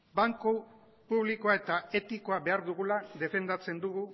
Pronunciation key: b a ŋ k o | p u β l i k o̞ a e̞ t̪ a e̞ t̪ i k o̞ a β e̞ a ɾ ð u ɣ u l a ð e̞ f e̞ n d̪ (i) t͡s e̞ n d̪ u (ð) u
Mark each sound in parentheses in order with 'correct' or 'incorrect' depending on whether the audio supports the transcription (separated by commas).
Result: incorrect, incorrect